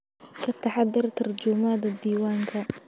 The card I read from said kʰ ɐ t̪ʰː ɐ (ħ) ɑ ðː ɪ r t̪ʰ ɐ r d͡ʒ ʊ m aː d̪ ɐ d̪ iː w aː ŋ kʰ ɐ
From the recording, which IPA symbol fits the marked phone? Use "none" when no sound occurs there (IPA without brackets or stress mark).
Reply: ħ